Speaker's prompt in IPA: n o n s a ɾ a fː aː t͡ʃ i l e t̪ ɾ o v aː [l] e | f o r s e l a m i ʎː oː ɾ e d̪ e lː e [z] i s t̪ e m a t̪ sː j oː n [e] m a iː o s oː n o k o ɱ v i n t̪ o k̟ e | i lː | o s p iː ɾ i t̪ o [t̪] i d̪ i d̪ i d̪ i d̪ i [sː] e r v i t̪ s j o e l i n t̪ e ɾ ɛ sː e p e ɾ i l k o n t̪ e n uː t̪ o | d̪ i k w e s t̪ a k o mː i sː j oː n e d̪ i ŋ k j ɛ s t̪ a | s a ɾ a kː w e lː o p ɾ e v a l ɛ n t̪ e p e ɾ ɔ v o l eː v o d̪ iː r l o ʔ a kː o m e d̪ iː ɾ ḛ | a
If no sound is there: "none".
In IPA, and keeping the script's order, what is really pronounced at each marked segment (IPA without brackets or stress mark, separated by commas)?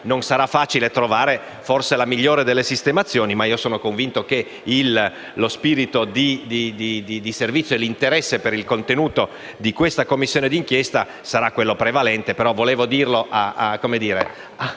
ɾ, s, i, d̪, s